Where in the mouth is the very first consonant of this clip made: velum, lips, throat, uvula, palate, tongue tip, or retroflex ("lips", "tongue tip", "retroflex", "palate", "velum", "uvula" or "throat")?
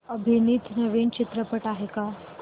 lips